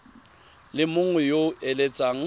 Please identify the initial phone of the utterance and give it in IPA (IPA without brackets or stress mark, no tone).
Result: l